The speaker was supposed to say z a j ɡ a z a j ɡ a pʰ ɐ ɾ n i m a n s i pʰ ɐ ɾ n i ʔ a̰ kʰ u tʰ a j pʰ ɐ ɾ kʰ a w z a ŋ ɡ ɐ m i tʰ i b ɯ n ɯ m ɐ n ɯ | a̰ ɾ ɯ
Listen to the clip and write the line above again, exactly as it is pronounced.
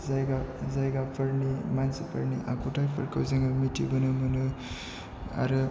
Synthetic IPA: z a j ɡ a z a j ɡ a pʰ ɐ ɾ n i m a n s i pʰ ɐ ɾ n i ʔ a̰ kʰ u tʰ a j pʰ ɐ ɾ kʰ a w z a ŋ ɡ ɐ m i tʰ i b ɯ n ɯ m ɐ n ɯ | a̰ ɾ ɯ